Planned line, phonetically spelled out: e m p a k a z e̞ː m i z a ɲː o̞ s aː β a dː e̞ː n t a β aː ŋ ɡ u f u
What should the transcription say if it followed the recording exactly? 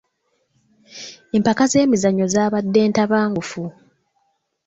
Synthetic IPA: e m p a k a z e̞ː m i z a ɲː o̞ z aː β a dː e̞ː n t a β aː ŋ ɡ u f u